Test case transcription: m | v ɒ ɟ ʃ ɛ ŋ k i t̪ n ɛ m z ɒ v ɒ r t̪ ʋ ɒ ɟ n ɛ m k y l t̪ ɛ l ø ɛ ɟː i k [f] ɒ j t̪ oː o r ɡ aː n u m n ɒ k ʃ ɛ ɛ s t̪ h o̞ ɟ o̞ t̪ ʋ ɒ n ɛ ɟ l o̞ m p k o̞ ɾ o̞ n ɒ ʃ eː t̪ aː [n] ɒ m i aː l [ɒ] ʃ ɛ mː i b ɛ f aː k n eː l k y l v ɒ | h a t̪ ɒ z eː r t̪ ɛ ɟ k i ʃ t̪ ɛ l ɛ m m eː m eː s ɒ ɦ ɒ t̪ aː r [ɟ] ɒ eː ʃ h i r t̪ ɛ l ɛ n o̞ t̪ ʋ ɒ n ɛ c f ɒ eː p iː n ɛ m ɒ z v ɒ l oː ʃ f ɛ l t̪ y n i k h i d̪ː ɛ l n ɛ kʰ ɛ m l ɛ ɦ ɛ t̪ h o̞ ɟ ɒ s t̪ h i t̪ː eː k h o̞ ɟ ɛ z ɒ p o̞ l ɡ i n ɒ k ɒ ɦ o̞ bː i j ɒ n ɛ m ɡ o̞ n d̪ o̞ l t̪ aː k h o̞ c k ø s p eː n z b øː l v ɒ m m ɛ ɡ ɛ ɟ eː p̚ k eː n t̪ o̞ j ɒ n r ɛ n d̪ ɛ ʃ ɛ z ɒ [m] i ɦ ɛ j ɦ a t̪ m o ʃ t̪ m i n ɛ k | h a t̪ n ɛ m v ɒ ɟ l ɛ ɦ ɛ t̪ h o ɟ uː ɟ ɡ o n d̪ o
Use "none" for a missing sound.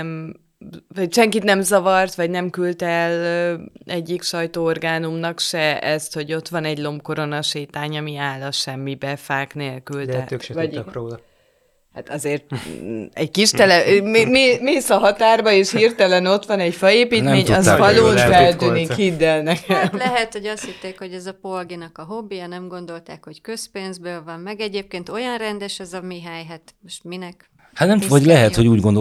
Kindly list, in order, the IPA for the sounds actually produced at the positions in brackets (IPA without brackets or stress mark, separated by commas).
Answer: ʃ, ɲ, ɒ, b, m